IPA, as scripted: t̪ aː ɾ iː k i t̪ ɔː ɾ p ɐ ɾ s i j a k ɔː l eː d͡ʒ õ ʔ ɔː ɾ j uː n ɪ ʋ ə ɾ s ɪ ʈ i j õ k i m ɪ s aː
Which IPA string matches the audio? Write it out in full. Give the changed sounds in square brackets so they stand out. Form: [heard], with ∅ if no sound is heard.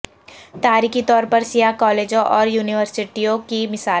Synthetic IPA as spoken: t̪ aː ɾ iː k i t̪ ɔː ɾ p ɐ ɾ s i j a k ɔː l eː d͡ʒ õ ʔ ɔː ɾ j uː n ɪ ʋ ə ɾ s ɪ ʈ i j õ k i m ɪ s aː